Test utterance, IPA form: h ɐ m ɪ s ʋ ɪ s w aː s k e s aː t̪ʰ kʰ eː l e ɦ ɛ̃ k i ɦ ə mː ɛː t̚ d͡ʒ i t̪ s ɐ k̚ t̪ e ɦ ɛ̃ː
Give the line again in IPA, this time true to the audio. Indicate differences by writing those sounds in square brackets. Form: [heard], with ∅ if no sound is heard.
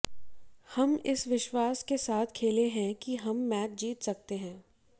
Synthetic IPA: h ɐ m ɪ s ʋ ɪ [ʃ] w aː s k e s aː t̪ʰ kʰ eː l e ɦ ɛ̃ k i ɦ [ɐ] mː ɛː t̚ d͡ʒ [iː] t̪ s ɐ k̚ t̪ e ɦ ɛ̃ː